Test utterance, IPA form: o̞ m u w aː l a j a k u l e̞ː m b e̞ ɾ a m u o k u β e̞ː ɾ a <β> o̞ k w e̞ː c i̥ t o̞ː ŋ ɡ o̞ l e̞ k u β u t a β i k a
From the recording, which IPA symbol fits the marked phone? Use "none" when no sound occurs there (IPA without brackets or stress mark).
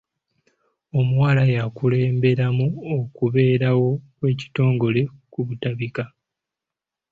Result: w